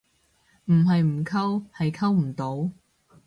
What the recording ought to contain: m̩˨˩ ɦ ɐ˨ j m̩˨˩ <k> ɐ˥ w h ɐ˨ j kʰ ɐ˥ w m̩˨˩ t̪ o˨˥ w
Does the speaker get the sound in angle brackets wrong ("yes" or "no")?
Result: yes